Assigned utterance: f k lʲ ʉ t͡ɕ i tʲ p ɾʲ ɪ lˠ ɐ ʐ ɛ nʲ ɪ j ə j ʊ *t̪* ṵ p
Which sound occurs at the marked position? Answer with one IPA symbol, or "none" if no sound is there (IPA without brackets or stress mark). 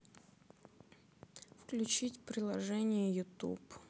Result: t̪